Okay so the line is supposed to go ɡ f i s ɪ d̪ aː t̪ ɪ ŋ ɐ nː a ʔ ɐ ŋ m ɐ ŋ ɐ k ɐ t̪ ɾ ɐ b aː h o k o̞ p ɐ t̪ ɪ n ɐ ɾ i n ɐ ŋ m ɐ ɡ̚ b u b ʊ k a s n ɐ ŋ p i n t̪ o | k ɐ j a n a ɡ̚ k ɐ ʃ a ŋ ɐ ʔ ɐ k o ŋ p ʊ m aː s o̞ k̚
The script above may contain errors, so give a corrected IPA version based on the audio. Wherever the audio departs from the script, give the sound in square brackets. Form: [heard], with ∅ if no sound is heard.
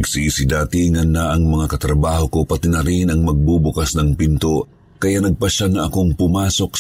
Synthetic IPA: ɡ [s] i s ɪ d̪ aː t̪ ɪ ŋ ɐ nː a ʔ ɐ ŋ m ɐ ŋ [a] k ɐ t̪ ɾ ɐ b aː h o k o̞ p ɐ t̪ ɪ n ɐ ɾ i n ɐ ŋ m ɐ ɡ̚ b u b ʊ k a s n ɐ ŋ p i n t̪ o | k ɐ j a n [ɐ] ɡ̚ [p] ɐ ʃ a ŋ ɐ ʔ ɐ k o ŋ p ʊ m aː s o̞ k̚